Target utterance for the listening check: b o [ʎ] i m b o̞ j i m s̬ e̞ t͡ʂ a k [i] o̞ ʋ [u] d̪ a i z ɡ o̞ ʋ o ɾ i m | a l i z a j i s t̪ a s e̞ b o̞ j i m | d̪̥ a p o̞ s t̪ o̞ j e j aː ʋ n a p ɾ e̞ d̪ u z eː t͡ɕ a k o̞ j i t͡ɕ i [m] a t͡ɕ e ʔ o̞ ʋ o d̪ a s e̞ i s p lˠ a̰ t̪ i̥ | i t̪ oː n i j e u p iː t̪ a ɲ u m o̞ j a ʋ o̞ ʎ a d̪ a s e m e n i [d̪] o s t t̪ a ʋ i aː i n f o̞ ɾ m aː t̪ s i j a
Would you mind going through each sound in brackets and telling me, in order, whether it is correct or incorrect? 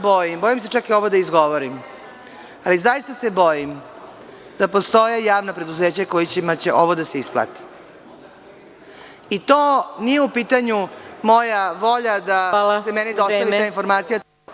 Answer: incorrect: j, correct, incorrect: o, correct, correct

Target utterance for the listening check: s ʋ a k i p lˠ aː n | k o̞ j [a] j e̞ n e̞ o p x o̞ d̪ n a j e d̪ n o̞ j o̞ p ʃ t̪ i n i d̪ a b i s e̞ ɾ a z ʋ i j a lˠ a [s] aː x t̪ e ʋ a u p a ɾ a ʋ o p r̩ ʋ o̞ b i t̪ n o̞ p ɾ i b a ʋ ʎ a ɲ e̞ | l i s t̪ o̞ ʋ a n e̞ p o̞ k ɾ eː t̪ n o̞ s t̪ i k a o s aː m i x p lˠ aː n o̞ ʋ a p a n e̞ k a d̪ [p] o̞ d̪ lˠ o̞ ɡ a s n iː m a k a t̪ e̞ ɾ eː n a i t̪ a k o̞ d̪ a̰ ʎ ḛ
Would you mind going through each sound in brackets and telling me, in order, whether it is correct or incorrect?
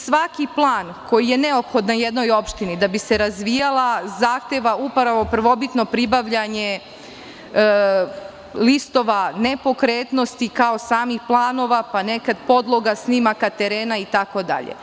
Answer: incorrect: i, incorrect: z, correct

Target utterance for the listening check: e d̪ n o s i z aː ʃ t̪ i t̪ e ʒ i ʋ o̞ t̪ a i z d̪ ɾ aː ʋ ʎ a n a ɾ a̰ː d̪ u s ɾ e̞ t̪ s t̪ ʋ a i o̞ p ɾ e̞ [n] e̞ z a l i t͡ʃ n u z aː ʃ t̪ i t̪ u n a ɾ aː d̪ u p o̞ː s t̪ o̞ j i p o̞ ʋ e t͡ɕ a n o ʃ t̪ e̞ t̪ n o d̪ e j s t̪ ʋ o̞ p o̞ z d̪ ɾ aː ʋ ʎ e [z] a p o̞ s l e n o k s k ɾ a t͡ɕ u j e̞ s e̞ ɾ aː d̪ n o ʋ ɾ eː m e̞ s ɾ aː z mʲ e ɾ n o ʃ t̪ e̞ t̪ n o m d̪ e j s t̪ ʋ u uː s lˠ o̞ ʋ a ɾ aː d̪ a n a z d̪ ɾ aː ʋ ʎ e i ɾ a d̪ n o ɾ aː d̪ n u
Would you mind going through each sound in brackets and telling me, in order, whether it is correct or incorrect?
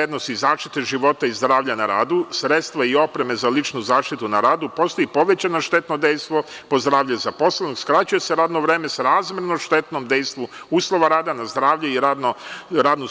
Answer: incorrect: m, correct

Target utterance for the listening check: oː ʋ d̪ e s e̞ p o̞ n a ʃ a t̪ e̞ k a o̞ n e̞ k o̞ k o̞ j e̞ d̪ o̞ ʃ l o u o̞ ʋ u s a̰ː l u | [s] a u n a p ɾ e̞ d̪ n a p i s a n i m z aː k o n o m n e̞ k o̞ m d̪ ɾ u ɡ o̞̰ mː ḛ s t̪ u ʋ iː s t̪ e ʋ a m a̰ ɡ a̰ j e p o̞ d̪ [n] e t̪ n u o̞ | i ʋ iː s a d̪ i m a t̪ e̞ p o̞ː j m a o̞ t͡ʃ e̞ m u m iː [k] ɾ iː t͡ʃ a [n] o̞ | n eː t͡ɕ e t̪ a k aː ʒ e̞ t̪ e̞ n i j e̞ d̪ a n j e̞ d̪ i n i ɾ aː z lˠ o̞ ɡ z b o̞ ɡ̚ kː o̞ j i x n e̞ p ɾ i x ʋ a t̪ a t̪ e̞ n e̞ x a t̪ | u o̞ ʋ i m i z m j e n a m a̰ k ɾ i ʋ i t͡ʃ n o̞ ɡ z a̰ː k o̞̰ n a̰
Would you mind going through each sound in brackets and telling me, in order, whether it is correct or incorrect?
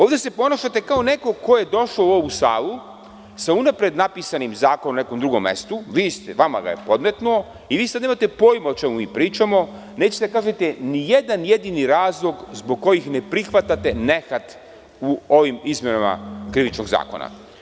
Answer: correct, incorrect: m, incorrect: p, incorrect: m

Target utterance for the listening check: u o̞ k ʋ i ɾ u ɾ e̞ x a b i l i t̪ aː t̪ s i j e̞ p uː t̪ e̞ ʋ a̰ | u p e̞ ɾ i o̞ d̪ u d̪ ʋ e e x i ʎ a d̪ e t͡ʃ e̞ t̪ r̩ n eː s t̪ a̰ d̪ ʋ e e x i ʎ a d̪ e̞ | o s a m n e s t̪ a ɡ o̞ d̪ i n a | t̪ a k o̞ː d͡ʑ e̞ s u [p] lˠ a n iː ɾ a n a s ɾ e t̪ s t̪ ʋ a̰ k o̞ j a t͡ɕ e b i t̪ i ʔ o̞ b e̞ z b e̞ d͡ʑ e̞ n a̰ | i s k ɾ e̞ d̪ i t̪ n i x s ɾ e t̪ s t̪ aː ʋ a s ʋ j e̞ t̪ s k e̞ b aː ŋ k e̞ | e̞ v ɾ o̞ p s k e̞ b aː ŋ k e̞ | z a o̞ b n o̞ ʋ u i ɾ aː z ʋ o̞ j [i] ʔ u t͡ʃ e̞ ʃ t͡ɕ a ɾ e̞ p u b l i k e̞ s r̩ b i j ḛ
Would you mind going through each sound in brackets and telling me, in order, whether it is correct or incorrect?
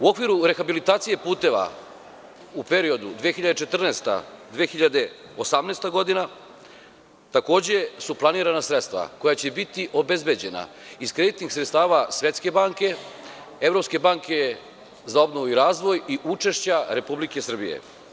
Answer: correct, correct

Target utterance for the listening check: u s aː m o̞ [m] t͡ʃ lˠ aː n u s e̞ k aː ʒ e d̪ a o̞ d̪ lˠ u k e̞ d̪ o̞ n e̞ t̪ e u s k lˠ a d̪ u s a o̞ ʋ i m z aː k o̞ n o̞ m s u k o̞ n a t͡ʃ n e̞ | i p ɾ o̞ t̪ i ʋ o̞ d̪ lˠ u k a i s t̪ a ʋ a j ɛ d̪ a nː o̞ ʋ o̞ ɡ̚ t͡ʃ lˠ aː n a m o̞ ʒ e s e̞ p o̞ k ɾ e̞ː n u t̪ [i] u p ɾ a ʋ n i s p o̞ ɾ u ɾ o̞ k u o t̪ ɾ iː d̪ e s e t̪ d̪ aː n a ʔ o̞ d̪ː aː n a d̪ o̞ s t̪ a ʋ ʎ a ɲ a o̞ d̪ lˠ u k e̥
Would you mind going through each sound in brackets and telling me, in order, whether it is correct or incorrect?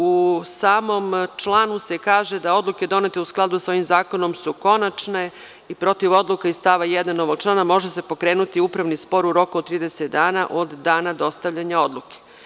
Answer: correct, correct

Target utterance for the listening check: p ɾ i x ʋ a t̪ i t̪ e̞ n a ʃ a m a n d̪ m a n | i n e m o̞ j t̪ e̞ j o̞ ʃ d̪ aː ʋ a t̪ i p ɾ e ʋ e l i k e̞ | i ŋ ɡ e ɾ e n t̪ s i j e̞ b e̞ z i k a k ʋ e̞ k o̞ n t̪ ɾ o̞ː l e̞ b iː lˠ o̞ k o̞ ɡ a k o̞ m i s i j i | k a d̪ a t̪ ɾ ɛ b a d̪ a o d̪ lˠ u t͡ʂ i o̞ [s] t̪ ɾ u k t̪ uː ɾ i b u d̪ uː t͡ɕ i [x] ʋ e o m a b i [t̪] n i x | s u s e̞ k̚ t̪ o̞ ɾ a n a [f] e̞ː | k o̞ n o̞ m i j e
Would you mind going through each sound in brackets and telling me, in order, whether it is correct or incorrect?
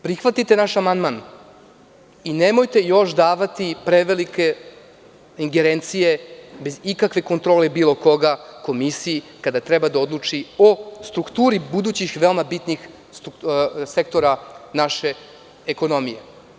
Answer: correct, correct, correct, incorrect: ʃ

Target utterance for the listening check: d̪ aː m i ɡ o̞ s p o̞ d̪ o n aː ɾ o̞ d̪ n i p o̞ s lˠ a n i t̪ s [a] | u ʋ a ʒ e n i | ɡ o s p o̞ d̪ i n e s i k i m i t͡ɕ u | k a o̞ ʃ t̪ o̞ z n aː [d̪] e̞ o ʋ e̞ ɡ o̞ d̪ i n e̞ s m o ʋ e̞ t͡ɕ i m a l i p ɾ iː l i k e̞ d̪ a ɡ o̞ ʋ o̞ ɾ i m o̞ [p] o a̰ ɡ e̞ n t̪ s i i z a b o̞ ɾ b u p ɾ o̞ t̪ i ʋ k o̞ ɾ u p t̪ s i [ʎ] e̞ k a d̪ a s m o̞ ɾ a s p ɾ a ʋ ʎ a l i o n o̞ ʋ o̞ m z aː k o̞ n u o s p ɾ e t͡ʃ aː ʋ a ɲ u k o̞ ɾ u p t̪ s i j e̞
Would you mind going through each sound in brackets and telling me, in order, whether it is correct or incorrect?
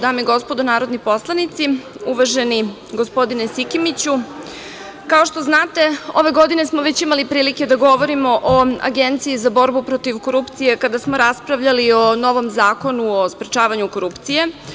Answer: incorrect: i, incorrect: t̪, incorrect: ʔ, incorrect: j

